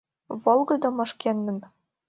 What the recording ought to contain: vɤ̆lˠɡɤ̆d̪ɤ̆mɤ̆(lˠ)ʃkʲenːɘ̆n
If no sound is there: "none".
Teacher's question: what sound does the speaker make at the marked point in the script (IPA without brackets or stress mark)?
none